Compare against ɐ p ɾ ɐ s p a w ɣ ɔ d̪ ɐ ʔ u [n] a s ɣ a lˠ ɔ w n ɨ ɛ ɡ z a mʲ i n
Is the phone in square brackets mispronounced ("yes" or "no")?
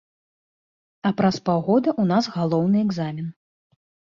no